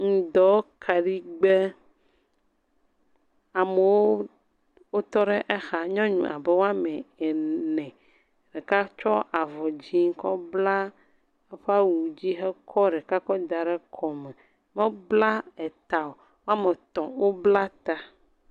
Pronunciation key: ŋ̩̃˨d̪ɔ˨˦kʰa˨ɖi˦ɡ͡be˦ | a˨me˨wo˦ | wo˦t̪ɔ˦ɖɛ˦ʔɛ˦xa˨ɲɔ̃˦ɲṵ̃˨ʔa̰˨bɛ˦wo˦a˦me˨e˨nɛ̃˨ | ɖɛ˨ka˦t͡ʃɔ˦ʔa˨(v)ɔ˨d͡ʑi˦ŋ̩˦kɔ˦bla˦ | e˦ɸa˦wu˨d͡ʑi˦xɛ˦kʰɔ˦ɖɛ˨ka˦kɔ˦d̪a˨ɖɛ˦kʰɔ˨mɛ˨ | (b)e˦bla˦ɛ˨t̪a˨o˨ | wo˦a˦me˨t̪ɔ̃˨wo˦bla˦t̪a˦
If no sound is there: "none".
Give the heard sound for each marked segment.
v, m

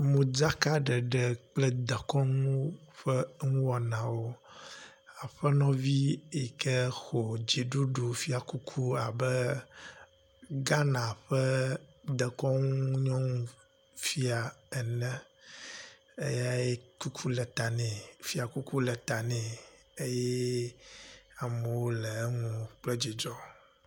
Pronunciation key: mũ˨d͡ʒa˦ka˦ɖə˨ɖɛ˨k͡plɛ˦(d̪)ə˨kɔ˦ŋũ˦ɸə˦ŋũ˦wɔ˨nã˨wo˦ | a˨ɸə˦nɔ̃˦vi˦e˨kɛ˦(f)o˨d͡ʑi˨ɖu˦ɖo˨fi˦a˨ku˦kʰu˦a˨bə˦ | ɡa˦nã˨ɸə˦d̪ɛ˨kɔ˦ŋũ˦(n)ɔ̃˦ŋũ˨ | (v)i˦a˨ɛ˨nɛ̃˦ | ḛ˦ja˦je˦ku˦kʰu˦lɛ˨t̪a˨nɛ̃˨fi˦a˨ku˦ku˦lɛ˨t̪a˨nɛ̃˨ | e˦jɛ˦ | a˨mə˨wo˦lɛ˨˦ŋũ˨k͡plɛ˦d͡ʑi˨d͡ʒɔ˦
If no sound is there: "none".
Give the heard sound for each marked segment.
d̪, x, ɲ, f

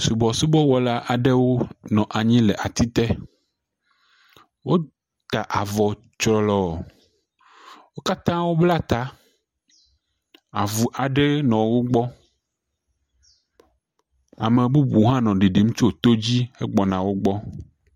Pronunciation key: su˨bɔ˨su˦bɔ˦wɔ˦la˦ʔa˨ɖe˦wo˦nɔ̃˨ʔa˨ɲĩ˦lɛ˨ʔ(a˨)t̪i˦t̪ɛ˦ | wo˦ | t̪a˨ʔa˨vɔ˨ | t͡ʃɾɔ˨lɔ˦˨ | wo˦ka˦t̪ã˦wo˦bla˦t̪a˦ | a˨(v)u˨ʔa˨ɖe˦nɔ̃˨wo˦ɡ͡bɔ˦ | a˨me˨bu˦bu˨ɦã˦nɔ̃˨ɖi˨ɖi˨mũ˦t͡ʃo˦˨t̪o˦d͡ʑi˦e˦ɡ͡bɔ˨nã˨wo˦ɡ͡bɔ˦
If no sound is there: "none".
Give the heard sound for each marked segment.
a˨, v

